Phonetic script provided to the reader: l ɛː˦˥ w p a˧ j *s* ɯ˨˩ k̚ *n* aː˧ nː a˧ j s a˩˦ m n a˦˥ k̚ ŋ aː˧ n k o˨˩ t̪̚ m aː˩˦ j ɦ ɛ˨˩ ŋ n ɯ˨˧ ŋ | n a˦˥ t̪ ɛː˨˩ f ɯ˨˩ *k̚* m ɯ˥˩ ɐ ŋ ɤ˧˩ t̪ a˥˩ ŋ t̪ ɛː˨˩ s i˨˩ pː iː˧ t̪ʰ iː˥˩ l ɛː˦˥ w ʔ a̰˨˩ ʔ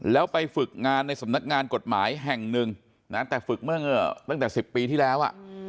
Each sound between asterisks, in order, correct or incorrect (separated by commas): incorrect, incorrect, correct